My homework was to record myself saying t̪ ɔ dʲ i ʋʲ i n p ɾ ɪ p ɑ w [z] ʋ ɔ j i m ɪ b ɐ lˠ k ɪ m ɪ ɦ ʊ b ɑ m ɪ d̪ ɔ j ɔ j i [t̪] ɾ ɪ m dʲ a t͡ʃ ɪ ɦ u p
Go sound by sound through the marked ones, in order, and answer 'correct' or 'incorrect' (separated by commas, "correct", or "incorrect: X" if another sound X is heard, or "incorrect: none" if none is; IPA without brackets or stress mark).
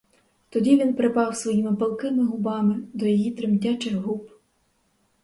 incorrect: s, correct